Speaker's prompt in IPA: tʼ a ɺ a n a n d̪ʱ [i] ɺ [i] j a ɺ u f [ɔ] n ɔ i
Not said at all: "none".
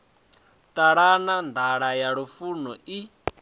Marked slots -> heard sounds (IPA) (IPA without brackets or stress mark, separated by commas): a, a, u